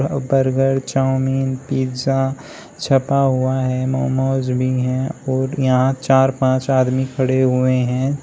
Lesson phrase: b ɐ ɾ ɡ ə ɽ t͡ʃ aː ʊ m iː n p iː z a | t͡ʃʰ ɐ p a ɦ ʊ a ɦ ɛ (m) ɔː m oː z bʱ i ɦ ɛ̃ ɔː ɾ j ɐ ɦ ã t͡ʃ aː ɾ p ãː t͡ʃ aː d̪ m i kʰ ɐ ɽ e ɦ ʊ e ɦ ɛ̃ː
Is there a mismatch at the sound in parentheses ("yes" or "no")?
no